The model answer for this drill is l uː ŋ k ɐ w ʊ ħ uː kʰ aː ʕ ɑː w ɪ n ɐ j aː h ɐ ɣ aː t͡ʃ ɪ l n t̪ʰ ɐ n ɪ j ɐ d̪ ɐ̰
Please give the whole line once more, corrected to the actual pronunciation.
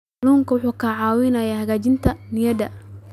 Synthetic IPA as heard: l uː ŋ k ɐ w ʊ ħ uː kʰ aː ʕ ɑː w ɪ n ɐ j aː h ɐ ɣ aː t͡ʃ ɪ n t̪ʰ ɐ n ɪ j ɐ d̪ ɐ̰